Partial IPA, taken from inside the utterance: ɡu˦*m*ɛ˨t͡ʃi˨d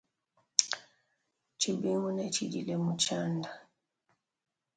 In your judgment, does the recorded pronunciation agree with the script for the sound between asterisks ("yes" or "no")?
no